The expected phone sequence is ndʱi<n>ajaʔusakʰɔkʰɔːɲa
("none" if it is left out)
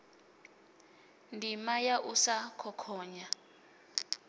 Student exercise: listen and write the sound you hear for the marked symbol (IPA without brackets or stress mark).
m